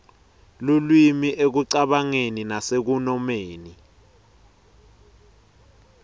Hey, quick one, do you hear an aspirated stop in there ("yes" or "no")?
no